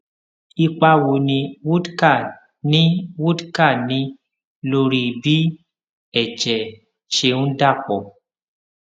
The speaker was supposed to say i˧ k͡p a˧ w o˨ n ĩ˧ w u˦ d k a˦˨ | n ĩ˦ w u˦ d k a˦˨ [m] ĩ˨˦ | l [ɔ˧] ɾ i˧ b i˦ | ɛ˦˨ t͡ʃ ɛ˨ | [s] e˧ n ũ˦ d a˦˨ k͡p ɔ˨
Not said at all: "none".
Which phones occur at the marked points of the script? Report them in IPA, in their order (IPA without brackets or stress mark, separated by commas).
n, o˧, ʃ